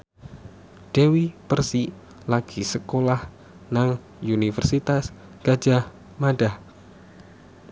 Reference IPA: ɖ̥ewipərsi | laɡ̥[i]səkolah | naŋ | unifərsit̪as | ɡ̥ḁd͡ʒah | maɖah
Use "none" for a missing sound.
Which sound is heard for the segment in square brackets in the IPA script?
i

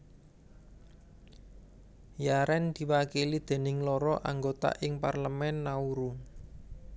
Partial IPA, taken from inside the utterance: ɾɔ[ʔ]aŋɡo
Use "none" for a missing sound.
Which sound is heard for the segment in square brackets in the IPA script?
ʔ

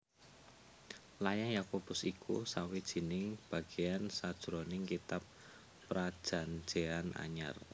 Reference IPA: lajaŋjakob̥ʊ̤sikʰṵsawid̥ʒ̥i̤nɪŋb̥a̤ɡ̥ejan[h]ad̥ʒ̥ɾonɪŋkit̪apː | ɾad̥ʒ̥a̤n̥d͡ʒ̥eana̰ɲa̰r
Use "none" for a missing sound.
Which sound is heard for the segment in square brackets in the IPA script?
s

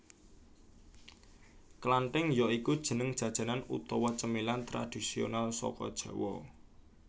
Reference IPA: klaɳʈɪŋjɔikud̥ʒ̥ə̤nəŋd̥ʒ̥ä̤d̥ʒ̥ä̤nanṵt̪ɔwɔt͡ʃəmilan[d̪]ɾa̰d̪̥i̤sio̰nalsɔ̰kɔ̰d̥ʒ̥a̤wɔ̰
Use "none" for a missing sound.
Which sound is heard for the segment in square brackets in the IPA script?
t̪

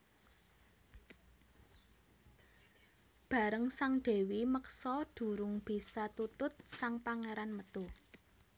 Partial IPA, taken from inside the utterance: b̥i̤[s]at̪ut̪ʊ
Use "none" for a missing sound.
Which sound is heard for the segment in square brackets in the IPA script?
s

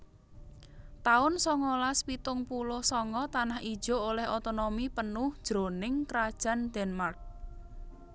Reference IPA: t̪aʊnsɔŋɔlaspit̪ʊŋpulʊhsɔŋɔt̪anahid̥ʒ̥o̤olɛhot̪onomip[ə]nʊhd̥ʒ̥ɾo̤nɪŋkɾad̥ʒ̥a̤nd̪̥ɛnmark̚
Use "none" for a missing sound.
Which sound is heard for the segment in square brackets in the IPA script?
ə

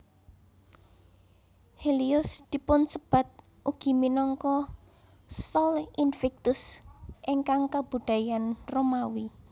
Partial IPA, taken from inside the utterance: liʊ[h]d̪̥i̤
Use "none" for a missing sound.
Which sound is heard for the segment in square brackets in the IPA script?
s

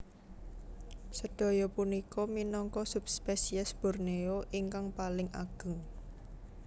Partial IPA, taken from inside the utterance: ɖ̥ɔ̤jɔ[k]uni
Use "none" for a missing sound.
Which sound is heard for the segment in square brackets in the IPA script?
p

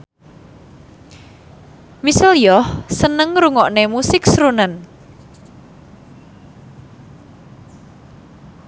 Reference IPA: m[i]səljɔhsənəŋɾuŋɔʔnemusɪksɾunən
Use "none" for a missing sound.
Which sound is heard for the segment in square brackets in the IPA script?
i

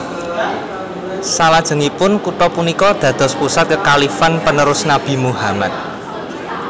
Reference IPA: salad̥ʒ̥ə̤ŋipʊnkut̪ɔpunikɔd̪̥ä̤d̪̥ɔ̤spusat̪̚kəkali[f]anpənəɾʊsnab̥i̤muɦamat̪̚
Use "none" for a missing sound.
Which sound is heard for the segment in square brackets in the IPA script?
f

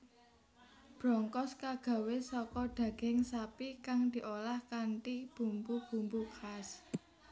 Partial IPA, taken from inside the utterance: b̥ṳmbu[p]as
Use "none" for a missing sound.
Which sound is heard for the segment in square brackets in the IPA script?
k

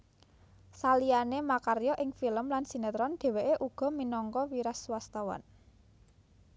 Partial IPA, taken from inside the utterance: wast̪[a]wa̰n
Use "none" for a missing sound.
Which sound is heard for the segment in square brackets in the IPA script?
a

